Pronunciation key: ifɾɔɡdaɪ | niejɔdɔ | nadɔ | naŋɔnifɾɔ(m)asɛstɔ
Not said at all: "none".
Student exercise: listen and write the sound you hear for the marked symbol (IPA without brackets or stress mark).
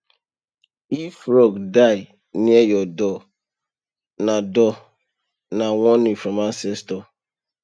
m